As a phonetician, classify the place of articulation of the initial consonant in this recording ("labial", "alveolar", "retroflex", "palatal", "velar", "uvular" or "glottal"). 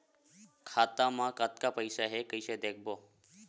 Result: velar